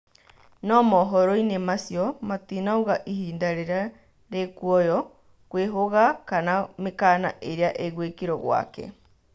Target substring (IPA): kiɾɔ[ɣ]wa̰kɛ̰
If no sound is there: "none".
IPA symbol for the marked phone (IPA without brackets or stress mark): ɣ